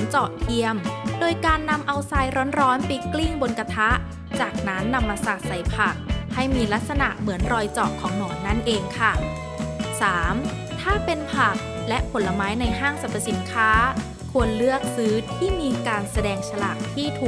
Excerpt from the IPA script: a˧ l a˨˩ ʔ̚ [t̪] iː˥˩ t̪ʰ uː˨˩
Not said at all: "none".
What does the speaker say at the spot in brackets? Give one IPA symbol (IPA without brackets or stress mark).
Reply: t̪ʰ